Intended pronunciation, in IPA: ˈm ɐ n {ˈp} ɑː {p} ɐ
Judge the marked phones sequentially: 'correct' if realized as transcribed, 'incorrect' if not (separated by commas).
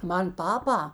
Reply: correct, correct